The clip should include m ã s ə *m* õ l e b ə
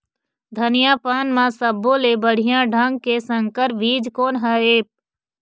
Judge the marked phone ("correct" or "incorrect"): incorrect